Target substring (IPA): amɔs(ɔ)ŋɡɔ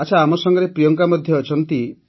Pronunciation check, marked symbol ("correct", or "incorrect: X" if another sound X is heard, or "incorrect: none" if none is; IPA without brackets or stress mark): correct